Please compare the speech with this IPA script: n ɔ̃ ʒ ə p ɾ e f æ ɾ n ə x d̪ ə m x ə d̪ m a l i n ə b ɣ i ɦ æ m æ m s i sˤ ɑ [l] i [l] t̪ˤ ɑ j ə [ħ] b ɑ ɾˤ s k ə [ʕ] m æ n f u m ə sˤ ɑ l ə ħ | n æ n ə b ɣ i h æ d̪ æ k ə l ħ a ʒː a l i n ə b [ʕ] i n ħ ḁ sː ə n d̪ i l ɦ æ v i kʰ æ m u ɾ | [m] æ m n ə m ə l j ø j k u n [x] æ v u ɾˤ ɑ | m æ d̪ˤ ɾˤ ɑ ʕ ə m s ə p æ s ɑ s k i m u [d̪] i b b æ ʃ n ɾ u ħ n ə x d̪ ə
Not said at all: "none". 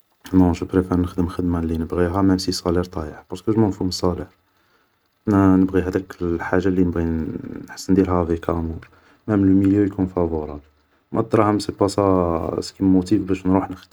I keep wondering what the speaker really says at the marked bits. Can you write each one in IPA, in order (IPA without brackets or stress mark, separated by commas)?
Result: l, ɾ, ħ, ʒ, ɣ, m, f, t̪